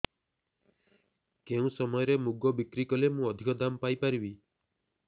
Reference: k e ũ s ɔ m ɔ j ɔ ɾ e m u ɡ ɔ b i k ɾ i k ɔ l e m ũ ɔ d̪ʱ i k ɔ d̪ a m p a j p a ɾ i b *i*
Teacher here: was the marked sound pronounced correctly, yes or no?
yes